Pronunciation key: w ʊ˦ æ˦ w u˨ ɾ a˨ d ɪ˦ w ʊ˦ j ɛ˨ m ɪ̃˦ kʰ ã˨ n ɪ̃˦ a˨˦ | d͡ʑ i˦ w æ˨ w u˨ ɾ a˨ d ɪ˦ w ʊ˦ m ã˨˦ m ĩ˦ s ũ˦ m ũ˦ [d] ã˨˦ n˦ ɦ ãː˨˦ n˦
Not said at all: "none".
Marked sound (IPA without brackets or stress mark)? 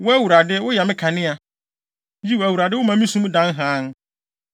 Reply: d